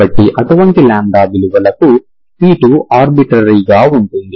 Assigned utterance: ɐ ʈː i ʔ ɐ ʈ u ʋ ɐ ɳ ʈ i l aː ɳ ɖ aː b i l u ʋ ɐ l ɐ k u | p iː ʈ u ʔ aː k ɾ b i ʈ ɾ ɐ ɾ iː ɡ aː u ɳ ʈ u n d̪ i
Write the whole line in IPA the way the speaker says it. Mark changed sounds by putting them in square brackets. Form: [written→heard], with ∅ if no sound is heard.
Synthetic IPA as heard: ɐ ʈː i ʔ ɐ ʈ u ʋ ɐ ɳ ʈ i l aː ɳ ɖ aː b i l u ʋ ɐ l ɐ k u | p iː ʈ u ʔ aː [k→∅] ɾ b i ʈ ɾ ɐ ɾ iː ɡ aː u ɳ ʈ u n d̪ i